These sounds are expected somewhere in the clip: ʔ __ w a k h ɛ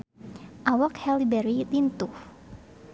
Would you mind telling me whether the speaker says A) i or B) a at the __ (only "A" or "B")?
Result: B